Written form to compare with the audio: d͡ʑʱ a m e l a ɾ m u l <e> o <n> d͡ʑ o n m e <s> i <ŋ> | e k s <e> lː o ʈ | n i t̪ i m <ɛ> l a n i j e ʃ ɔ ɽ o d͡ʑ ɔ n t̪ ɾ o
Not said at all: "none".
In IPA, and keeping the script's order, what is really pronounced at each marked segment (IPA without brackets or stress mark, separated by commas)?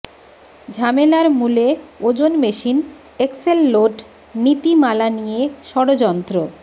e, none, ʃ, n, e, a